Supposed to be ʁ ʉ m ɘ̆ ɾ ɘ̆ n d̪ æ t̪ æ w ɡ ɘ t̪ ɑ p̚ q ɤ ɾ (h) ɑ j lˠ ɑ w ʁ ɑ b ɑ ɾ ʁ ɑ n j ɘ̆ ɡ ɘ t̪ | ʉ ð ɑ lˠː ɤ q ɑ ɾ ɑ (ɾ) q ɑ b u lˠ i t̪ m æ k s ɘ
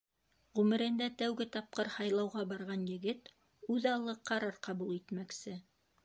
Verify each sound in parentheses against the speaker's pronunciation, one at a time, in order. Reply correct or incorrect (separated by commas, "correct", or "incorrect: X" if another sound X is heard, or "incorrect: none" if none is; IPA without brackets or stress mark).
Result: correct, correct